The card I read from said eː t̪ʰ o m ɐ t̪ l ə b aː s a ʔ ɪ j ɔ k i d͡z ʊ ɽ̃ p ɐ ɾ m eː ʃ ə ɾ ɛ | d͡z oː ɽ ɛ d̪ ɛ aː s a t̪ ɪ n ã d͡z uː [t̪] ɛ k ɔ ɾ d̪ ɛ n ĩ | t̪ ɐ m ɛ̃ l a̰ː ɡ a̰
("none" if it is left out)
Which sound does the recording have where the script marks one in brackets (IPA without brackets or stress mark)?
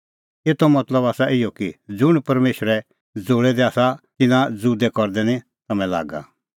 d̪